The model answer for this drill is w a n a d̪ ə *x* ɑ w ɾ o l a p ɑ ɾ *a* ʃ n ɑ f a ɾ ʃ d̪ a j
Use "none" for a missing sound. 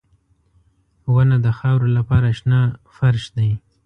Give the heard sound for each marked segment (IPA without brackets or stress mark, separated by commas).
x, a